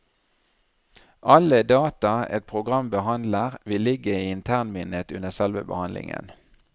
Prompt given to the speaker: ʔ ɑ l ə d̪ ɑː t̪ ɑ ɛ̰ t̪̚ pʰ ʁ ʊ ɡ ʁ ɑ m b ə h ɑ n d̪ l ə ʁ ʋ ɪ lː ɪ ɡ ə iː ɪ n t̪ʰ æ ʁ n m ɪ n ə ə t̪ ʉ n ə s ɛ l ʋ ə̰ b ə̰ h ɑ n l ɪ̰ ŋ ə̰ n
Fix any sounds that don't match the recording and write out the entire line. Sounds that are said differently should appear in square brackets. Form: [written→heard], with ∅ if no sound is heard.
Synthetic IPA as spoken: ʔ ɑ l ə d̪ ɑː t̪ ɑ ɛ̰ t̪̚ pʰ ʁ ʊ ɡ ʁ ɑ m b ə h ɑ n d̪ l ə ʁ ʋ ɪ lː ɪ ɡ ə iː ɪ n t̪ʰ æ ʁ n m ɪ n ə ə t̪ ʉ n ə s ɛ l ʋ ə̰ b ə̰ h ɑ n l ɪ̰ ŋ ə̰ n